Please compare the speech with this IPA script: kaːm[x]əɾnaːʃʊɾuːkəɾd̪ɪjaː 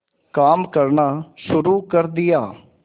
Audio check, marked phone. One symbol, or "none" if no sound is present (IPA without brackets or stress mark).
k